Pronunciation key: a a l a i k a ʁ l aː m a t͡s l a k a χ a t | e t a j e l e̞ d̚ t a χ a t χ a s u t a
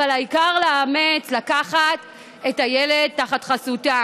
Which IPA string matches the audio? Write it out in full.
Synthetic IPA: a a l a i k a ʁ l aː m e t͡s l a k a χ a t | e t a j e l e̞ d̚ t a χ a t χ a s u t a